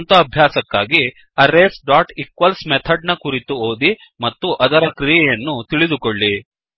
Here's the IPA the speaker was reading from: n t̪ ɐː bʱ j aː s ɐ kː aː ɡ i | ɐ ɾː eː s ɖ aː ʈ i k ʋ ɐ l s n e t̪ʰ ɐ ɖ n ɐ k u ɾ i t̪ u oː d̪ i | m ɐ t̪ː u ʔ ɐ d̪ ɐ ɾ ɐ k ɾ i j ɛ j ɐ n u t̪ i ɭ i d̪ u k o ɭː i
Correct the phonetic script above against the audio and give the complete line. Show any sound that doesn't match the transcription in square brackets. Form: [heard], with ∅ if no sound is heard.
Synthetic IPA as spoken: n t̪ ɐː bʱ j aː s ɐ kː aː ɡ i | ɐ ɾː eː s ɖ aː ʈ i k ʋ ɐ l s [m] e t̪ʰ ɐ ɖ n ɐ k u ɾ i t̪ u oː d̪ i | m ɐ t̪ː u ʔ ɐ d̪ ɐ ɾ ɐ k ɾ i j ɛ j ɐ [nː] u t̪ i ɭ i d̪ u k o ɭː i